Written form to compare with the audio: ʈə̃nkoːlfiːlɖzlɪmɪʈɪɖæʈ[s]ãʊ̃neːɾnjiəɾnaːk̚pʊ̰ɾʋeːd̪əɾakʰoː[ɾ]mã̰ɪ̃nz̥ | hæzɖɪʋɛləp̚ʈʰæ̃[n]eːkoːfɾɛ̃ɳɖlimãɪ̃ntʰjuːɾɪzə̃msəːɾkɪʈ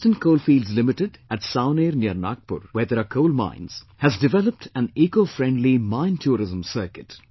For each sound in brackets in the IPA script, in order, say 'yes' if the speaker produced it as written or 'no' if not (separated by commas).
yes, no, yes